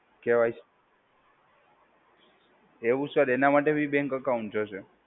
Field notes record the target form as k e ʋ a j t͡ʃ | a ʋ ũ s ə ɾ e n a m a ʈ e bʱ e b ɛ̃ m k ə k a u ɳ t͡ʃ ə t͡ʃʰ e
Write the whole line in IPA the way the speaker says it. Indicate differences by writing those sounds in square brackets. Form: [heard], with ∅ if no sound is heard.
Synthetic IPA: k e ʋ a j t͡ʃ | [e] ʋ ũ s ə ɾ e n a m a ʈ e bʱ [i] b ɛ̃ [ŋ] k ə k a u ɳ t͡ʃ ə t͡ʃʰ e

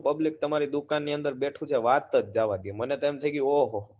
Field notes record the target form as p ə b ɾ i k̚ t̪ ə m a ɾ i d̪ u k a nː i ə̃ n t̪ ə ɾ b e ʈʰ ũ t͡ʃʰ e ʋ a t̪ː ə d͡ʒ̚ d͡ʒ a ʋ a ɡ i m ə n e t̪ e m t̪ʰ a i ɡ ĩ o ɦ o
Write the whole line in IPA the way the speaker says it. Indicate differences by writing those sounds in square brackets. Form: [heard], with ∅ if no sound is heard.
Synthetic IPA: p ə b [l] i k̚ t̪ ə m a ɾ i d̪ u k a nː i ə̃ n [d̪] ə ɾ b e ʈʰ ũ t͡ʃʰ e ʋ a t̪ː ə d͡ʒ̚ d͡ʒ a ʋ a ɡ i m ə n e t̪ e m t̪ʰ [ə] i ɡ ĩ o ɦ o

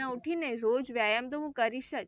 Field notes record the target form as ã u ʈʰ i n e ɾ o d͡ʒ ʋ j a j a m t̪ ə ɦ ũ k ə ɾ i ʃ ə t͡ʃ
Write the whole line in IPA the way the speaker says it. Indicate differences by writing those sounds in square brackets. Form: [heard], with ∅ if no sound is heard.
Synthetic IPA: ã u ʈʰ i n e ɾ o d͡ʒ ʋ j a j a m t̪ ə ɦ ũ k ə ɾ i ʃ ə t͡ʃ

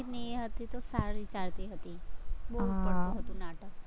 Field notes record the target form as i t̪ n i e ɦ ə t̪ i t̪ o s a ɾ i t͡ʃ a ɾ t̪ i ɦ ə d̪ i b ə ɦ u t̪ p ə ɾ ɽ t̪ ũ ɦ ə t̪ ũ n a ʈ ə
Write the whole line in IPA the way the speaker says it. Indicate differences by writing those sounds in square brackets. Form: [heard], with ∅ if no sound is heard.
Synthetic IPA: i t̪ n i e ɦ ə t̪ i t̪ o s a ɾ i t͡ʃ a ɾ t̪ i ɦ ə [t̪] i b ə ɦ u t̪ p ə [ɽ] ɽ t̪ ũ ɦ ə t̪ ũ n a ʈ ə

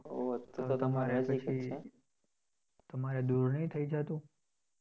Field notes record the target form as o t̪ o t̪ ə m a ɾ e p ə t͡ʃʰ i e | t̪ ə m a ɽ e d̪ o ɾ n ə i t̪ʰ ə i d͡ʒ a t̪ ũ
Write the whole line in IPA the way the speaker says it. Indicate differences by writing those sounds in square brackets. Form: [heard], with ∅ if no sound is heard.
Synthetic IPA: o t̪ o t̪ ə m a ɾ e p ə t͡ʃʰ i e | t̪ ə m a [ɾ] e d̪ [u] ɾ n ə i t̪ʰ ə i d͡ʒ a t̪ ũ

